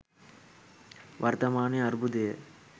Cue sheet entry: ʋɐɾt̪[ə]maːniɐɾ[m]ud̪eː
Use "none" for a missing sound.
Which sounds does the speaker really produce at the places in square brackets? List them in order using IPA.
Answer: ɐ, b

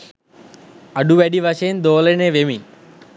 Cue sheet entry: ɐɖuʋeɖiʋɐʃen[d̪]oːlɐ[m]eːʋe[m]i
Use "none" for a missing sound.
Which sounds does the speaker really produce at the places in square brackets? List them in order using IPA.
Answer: d̪, n, m

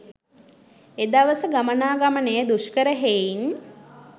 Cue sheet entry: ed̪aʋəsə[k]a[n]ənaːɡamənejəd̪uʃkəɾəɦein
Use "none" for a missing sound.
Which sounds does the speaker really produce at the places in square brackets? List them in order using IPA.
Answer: ɡ, m

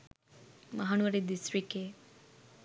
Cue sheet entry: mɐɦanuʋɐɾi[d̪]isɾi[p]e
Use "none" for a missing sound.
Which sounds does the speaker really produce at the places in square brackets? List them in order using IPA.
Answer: d̪, k

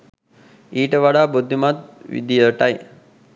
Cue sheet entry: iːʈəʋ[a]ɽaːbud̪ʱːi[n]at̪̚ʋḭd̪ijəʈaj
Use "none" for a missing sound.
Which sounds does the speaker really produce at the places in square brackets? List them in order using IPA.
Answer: a, m

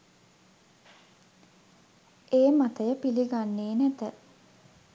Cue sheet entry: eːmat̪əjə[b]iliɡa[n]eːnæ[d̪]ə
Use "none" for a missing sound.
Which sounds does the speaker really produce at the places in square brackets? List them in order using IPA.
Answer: p, nː, t̪

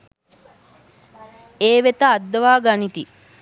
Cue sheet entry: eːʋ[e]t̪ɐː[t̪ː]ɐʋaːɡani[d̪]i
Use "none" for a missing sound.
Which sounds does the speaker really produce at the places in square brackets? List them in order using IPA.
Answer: e, d̪ː, t̪

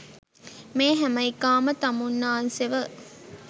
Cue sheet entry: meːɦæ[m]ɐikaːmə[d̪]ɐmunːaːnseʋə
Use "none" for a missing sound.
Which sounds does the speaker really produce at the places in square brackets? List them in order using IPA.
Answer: m, t̪

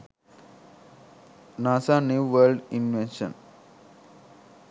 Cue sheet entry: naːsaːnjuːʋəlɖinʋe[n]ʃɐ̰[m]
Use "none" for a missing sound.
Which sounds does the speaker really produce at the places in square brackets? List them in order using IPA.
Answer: n, n

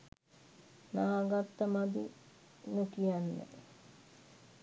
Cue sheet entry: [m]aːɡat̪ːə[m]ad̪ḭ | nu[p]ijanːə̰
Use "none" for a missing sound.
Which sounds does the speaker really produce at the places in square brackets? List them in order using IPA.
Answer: n, m, k

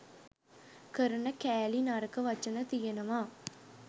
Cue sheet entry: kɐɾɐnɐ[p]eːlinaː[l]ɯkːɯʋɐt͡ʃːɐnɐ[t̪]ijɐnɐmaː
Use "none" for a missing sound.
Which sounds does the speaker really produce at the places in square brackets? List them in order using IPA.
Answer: k, ɾ, t̪

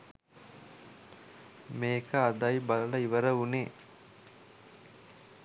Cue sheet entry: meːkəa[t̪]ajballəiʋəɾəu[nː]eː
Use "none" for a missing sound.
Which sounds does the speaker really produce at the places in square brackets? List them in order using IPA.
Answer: d̪, n

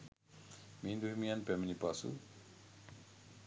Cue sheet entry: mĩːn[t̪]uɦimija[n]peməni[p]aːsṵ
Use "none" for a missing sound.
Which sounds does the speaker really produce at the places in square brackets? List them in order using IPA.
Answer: d̪, n, p

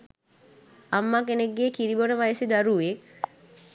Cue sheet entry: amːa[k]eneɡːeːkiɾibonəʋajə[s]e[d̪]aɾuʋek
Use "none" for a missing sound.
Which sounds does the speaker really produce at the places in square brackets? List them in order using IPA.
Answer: k, s, d̪

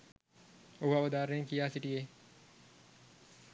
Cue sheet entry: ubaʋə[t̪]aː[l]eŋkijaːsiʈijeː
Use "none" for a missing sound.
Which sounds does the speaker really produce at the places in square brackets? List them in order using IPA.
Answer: d̪, ɾ

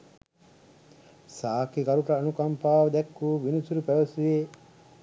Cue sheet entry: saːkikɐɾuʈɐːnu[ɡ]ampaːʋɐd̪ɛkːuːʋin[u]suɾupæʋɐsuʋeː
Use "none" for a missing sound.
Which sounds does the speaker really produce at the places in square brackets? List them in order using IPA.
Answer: k, u

